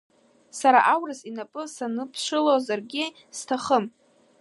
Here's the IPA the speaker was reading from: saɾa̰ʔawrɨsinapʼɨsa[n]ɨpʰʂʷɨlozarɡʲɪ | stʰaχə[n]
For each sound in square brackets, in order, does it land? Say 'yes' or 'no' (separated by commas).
yes, no